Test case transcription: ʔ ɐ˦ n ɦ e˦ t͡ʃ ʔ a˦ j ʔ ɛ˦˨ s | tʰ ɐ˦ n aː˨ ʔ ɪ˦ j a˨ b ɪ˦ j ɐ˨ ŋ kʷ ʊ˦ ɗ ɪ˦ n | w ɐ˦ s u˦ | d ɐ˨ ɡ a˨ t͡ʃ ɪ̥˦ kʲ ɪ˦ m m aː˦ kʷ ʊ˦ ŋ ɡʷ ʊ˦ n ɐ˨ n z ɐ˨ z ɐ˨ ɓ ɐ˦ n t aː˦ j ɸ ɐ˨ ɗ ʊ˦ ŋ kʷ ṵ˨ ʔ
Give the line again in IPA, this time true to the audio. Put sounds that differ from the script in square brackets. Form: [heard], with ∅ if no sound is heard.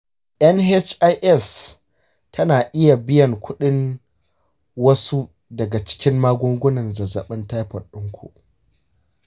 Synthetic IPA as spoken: ʔ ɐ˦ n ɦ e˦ t͡ʃ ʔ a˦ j ʔ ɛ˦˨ s | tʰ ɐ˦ n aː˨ ʔ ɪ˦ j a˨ b ɪ˦ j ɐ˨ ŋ kʷ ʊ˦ ɗ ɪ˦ n | w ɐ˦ s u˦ | d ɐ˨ ɡ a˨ t͡ʃ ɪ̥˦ kʲ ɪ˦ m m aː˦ [ɡʷ] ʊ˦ ŋ ɡʷ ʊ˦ n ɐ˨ n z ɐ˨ z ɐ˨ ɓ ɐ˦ n t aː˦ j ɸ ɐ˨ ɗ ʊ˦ ŋ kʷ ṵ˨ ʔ

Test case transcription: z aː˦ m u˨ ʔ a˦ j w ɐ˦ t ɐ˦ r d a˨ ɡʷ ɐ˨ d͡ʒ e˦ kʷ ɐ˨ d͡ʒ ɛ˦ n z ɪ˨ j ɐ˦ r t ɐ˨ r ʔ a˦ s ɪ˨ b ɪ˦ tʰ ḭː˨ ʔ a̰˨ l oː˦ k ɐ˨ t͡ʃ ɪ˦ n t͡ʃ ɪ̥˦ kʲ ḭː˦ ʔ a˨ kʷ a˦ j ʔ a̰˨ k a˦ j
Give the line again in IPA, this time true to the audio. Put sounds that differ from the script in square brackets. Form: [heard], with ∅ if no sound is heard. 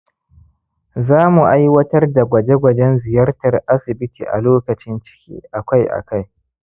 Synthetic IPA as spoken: z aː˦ m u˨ ʔ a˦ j w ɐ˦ t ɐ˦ r d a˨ ɡʷ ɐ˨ d͡ʒ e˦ [ɡʷ] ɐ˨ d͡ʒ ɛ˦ n z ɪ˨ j ɐ˦ r t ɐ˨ r ʔ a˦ s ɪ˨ b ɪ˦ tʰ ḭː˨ ʔ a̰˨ l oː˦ k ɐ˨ t͡ʃ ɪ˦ n t͡ʃ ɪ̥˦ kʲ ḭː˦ ʔ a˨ kʷ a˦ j ʔ a̰˨ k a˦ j

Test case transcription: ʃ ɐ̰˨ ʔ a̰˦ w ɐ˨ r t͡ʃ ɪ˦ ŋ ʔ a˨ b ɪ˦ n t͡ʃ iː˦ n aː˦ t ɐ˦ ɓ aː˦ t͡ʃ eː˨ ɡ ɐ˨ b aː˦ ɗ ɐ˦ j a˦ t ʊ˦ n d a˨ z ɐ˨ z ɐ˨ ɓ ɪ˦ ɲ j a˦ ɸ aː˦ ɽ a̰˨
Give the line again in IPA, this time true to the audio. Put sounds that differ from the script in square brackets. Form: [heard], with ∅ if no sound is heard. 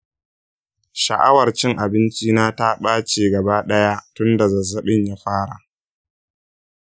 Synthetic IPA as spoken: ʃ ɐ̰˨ ʔ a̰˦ w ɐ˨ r t͡ʃ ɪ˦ ŋ ʔ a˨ b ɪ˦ n t͡ʃ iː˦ n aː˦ t [a˦] ɓ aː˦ t͡ʃ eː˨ ɡ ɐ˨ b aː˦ ɗ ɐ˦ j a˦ t ʊ˦ n d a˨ z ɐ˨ z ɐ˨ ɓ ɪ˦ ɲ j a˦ ɸ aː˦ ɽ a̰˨

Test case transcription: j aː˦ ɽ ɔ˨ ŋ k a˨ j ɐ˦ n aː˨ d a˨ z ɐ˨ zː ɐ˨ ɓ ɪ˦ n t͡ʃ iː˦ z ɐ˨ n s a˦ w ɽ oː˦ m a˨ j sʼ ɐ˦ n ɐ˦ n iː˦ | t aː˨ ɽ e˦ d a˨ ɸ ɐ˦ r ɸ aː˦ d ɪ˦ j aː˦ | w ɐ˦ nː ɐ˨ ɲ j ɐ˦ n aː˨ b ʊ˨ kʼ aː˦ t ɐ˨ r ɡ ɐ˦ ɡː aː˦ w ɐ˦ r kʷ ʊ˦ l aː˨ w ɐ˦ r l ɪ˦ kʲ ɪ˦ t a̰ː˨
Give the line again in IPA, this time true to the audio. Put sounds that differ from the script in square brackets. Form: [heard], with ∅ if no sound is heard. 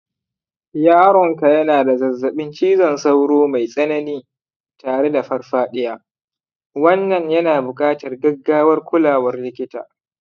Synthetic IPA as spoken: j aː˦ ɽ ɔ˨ ŋ k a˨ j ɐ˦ n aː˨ d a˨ z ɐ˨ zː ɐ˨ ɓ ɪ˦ n t͡ʃ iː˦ z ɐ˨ n s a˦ w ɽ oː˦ m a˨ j sʼ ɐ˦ n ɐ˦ n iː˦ | t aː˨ ɽ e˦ d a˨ ɸ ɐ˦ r ɸ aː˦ [ɗ] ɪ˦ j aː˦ | w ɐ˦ nː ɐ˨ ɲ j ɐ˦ n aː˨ b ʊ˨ kʼ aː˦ t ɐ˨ r ɡ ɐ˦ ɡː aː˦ w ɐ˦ r kʷ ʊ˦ l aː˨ w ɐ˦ r l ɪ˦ kʲ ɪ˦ t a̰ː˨

